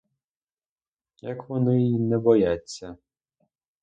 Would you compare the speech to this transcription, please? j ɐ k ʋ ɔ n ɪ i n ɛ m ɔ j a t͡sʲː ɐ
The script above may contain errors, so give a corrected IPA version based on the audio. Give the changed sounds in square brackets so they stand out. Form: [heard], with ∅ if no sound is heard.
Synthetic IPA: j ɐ k ʋ ɔ n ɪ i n ɛ [b] ɔ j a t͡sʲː ɐ